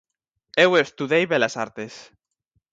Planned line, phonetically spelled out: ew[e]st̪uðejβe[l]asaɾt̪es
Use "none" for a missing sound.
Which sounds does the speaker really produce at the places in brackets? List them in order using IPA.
e, l

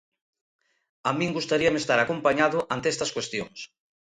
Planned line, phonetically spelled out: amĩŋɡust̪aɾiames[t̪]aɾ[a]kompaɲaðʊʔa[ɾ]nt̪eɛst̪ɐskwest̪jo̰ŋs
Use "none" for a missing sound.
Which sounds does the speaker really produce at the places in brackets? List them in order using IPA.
t̪, a, none

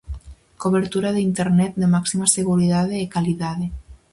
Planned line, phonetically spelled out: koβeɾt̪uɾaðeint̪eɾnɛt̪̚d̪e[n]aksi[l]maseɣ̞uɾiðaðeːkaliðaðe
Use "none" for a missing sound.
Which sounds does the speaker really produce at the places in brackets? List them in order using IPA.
m, none

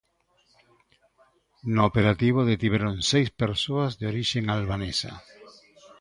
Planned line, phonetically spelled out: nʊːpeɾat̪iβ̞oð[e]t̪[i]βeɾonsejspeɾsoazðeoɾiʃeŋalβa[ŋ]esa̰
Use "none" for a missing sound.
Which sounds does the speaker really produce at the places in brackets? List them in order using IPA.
e, i, n

